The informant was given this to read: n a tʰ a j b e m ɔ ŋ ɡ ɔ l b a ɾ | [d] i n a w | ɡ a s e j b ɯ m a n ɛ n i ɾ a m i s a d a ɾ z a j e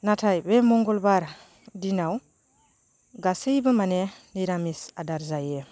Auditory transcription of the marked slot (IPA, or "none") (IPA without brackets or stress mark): d